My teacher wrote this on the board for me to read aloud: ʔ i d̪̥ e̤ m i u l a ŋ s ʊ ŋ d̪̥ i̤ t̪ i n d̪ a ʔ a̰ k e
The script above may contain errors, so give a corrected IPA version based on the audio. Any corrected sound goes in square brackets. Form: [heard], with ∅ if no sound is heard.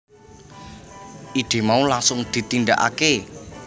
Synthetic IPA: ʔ i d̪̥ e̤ m [a] u l a ŋ s ʊ ŋ d̪̥ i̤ t̪ i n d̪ a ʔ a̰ k e